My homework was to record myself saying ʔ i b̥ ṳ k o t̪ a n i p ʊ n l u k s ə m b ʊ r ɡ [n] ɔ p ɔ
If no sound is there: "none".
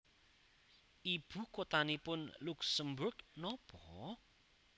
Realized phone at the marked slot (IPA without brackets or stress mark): n